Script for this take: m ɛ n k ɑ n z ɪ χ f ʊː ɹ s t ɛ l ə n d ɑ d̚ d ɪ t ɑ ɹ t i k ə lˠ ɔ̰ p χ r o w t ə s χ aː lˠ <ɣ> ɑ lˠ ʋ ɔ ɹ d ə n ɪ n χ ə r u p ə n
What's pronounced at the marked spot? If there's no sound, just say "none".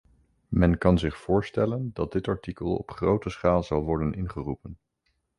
z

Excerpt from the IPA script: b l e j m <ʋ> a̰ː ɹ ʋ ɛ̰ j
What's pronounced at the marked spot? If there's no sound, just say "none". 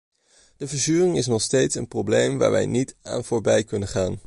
ʋ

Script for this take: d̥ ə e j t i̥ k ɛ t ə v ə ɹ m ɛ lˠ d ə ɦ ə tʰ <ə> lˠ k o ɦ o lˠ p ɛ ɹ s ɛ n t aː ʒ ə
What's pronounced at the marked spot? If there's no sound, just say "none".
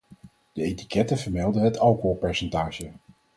ɑ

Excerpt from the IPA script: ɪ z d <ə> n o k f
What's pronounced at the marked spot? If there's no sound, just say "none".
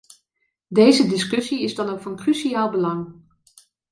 ɑ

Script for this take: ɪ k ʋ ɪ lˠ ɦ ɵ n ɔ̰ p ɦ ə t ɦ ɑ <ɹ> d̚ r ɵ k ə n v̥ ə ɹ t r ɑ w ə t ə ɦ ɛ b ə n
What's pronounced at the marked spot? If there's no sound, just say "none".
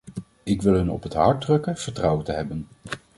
ɹ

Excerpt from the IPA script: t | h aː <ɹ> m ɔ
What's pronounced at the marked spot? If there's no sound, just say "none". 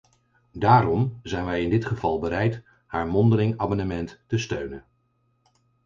ɹ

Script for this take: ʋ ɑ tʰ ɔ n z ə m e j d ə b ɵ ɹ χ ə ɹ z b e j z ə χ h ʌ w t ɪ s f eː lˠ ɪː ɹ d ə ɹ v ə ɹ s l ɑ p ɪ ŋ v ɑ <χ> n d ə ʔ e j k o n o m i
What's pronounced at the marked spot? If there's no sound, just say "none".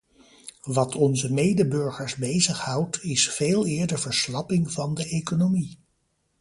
none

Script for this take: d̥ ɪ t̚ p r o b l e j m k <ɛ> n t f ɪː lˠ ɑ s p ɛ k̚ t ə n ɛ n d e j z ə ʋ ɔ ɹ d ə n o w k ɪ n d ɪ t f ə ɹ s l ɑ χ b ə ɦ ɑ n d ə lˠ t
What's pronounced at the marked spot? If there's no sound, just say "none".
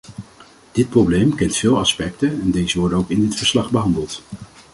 ɛ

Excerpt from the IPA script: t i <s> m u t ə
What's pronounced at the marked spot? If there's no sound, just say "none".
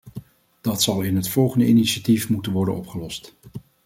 f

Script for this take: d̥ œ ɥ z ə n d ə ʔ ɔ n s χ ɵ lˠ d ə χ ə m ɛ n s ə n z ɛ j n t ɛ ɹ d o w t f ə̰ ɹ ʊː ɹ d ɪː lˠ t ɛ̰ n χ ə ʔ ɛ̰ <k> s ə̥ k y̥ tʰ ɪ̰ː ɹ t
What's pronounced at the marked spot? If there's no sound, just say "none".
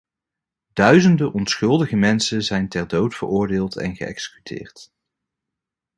k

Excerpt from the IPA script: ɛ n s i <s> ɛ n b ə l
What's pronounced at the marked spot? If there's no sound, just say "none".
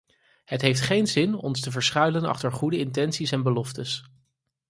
s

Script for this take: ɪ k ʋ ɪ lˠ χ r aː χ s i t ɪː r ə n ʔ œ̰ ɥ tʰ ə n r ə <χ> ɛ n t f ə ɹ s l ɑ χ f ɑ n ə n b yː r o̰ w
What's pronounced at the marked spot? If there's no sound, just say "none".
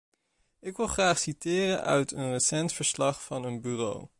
s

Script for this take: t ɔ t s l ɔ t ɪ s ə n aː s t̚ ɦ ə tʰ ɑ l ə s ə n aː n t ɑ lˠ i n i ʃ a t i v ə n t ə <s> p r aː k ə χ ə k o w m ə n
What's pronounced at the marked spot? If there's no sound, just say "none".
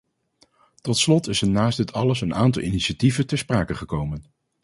s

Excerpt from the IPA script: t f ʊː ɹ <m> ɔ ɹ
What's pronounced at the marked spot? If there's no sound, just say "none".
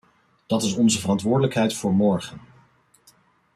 m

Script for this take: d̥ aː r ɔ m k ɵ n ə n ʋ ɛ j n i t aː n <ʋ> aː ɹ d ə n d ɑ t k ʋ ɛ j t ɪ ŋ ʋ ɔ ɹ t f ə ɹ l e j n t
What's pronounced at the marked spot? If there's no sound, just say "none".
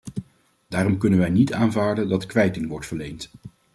v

